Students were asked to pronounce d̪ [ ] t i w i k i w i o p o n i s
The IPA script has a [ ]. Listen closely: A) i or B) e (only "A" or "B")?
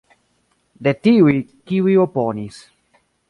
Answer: B